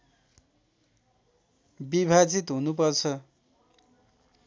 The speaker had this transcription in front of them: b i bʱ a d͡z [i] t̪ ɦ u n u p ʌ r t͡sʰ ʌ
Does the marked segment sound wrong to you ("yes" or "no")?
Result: no